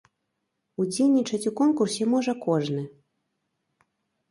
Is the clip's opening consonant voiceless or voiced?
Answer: voiced